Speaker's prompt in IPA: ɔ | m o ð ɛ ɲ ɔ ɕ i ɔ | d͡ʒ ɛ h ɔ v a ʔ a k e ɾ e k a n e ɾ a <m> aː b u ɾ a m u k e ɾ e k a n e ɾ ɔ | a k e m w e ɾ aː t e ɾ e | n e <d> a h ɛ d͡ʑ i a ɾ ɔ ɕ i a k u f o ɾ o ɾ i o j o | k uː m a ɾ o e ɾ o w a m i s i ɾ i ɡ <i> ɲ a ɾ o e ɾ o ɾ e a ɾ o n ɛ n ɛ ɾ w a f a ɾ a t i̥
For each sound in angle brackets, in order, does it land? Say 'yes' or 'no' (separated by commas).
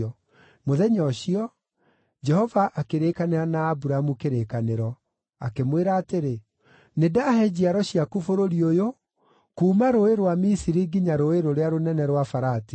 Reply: no, yes, yes